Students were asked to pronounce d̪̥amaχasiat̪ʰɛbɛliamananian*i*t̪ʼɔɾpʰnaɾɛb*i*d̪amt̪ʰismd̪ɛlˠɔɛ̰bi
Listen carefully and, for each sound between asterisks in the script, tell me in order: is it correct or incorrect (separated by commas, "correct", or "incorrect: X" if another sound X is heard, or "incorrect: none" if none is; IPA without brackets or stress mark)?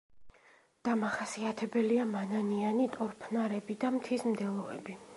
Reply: correct, correct